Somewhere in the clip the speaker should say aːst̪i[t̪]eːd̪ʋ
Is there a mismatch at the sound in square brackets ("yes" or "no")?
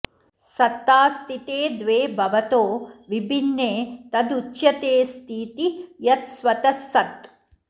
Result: no